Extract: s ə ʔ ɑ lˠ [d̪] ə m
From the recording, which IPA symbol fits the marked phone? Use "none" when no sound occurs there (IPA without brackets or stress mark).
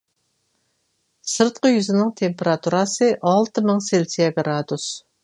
t̪